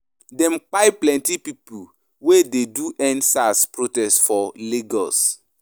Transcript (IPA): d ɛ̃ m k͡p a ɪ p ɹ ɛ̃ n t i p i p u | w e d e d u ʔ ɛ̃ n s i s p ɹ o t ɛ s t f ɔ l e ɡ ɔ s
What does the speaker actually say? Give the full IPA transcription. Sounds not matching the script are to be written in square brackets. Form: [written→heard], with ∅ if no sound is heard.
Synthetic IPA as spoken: d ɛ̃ m k͡p a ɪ p [ɹ→l] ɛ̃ n t i p i p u | w e d e d u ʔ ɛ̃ n s [i→a] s p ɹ o t ɛ s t f ɔ l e ɡ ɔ s